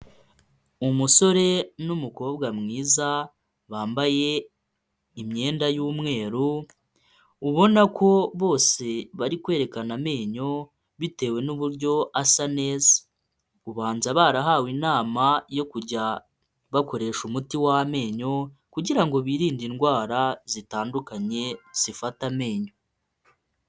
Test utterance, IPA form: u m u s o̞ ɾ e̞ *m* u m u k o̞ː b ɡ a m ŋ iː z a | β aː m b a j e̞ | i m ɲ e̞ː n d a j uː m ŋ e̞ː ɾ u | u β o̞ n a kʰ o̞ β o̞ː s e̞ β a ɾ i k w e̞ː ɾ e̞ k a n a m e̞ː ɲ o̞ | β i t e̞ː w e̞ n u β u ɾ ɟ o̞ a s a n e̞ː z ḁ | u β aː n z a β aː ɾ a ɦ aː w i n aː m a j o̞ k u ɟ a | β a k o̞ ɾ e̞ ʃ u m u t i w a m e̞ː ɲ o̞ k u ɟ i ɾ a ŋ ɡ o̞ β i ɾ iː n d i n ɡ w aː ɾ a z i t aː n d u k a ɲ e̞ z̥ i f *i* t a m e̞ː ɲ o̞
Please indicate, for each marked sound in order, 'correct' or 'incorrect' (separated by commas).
incorrect, incorrect